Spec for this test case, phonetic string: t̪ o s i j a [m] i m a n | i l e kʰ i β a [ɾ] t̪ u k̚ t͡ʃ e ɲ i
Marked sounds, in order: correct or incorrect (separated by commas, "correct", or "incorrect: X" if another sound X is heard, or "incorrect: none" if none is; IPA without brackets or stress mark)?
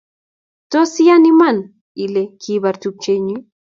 incorrect: n, correct